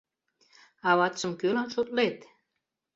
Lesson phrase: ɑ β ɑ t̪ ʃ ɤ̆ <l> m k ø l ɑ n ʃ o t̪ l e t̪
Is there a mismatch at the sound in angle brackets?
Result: yes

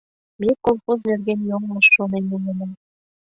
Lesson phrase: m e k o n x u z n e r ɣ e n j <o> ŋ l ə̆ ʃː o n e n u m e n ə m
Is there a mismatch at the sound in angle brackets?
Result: no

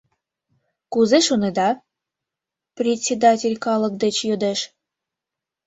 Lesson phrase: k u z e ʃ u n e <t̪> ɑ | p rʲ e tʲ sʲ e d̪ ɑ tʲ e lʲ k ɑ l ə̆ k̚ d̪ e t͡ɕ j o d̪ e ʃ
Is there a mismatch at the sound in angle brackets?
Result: yes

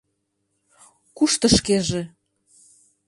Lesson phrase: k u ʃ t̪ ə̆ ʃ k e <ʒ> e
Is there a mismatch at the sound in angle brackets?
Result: no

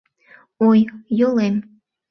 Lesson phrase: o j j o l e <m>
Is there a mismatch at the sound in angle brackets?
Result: no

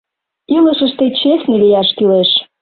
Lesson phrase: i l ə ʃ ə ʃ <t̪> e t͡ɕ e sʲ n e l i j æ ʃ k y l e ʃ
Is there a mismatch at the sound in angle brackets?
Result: no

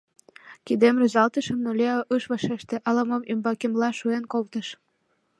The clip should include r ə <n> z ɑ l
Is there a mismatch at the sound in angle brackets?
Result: yes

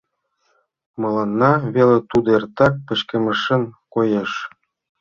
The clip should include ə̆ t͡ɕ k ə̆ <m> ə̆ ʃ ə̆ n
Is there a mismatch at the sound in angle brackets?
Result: no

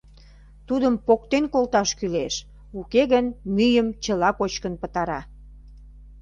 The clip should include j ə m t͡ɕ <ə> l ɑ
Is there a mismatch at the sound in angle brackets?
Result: no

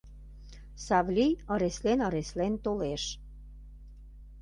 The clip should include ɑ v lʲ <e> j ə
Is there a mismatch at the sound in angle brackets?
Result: yes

